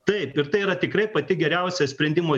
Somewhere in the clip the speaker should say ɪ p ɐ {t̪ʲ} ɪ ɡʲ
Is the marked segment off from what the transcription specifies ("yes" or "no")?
no